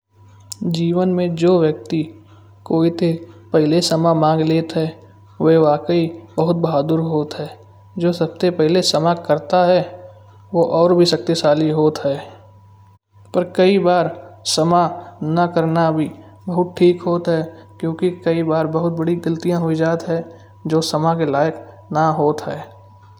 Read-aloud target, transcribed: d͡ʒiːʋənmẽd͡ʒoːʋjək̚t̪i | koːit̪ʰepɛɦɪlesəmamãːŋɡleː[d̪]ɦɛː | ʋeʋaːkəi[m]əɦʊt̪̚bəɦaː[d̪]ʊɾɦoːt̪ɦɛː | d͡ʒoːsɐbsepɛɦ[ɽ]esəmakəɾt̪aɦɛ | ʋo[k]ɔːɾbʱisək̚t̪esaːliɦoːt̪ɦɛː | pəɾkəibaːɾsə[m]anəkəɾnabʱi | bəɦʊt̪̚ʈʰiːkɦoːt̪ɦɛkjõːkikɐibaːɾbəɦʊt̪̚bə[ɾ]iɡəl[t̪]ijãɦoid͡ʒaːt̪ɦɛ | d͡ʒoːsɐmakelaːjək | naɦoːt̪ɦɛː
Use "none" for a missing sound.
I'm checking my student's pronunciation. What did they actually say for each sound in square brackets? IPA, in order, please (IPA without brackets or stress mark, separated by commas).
t̪, b, d̪, l, ʔ, m, ɽ, t̪